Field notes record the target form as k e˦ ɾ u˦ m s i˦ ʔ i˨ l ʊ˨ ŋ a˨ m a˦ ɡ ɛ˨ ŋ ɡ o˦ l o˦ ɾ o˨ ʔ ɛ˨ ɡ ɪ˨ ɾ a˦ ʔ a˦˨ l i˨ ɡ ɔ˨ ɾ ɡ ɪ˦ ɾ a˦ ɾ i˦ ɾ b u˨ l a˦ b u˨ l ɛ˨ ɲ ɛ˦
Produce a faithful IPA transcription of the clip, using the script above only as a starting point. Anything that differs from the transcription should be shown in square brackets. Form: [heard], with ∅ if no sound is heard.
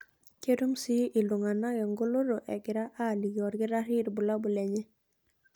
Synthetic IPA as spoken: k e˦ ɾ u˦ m s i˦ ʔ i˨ l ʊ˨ ŋ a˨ [n] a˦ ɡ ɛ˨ ŋ ɡ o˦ l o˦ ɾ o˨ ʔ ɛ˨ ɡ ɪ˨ ɾ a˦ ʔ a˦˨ l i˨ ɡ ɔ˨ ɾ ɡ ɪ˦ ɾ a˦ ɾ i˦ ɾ b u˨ l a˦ b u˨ l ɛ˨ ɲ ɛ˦